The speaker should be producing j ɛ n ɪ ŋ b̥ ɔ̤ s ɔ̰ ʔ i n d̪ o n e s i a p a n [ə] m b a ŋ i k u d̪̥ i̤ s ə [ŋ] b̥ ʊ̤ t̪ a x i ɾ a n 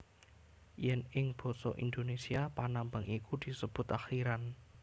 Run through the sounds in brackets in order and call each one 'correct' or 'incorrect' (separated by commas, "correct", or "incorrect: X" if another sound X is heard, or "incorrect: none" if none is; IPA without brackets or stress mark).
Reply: incorrect: a, incorrect: none